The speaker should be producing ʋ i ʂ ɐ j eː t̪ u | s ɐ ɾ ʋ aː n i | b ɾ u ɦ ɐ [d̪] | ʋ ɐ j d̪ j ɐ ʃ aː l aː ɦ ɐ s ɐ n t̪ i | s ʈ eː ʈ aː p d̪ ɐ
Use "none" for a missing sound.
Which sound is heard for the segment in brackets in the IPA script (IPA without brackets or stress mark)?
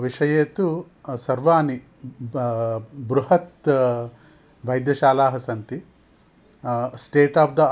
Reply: t̪